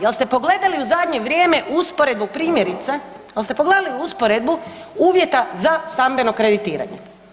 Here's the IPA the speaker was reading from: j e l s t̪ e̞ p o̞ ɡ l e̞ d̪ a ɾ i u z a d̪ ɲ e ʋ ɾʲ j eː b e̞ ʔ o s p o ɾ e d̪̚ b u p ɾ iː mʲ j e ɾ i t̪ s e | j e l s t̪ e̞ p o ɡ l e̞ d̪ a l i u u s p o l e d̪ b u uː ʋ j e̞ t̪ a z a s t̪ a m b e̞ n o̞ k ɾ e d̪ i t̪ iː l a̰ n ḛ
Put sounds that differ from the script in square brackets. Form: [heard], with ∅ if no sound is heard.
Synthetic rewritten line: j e l s t̪ e̞ p o̞ ɡ l e̞ d̪ a [l] i u z a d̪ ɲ e ʋ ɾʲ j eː [m] e̞ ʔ [u] s p o ɾ e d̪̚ b u p ɾ iː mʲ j e ɾ i t̪ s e | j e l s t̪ e̞ p o ɡ l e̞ d̪ a l i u u s p o [ɾ] e d̪ b u uː ʋ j e̞ t̪ a z a s t̪ a m b e̞ n o̞ k ɾ e d̪ i t̪ iː [ɾ] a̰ [ɲ] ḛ